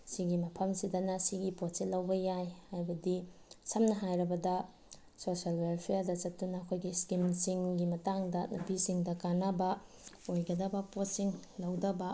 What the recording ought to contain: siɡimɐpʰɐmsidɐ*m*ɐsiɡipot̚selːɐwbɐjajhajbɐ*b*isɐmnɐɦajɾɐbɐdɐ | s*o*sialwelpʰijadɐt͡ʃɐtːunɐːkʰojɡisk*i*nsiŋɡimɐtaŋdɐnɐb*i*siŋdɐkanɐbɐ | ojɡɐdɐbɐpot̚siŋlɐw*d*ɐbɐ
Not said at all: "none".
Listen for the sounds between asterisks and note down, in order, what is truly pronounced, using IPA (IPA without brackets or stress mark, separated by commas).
n, d, o, i, i, d